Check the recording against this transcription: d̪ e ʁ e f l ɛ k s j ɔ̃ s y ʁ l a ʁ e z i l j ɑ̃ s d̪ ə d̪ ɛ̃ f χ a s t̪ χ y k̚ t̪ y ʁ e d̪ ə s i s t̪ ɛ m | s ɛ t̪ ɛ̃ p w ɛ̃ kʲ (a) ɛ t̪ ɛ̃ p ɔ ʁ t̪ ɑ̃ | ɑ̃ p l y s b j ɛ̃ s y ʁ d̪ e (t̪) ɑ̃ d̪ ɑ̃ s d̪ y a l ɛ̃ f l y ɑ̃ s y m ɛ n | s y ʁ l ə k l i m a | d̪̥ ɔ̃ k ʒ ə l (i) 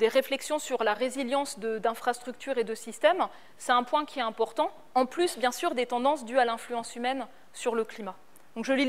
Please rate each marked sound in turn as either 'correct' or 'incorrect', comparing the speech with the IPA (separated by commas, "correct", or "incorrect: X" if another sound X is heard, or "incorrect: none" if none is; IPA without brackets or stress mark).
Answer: incorrect: i, correct, correct